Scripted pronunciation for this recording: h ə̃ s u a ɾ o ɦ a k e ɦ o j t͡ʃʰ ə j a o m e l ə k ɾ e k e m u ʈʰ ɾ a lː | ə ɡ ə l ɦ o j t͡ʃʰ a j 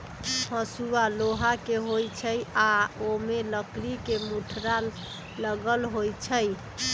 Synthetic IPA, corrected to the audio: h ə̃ s u a l o ɦ a k e ɦ o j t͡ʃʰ ə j a o m e l ə k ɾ i k e m u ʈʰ ɾ a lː | ə ɡ ə l ɦ o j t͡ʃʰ ə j